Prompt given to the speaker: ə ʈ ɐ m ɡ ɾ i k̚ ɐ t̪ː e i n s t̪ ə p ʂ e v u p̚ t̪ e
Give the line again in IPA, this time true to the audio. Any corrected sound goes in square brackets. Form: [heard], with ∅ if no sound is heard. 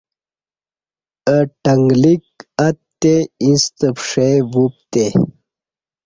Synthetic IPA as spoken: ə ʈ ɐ [ŋ] ɡ [l] i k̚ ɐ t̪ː e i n s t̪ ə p ʂ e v u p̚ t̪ e